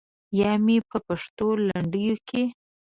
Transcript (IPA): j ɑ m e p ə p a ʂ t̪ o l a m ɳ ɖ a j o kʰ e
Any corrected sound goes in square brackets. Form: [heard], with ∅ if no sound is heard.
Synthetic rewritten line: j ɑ m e p ə p a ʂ t̪ o l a [∅] ɳ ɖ [ə] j o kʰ e